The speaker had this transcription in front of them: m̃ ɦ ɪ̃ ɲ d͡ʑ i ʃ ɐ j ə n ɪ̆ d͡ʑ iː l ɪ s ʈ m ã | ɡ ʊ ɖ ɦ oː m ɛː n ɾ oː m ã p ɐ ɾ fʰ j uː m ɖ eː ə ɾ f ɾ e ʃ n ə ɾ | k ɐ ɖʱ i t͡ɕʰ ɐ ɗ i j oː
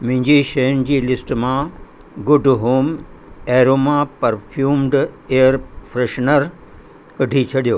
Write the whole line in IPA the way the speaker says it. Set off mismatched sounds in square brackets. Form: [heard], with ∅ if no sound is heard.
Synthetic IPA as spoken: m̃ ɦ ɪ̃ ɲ d͡ʑ i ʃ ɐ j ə n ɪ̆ d͡ʑ iː l ɪ s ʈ m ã | ɡ ʊ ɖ ɦ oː m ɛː [∅] ɾ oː m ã p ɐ ɾ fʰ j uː m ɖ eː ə ɾ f ɾ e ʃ n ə ɾ | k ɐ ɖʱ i t͡ɕʰ ɐ ɗ i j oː